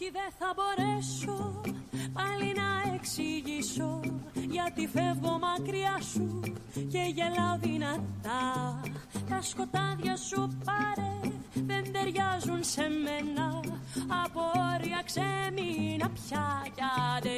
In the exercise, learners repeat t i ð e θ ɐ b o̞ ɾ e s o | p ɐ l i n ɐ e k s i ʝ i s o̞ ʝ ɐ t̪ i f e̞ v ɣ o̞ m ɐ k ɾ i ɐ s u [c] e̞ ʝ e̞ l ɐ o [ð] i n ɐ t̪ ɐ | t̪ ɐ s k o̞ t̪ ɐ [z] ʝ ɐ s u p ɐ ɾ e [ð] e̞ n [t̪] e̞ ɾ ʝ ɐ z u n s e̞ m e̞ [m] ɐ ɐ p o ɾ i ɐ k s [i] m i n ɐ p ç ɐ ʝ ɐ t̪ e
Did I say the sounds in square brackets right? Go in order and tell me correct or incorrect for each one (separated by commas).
correct, correct, incorrect, correct, incorrect, incorrect, incorrect